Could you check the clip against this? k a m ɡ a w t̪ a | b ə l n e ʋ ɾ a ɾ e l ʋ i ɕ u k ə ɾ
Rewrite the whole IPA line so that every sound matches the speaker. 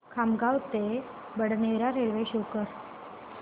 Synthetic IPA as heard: kʰ a m ɡ a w t̪ e | b ə ɽ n e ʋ ɾ a ɾ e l ʋ e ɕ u k ə ɾ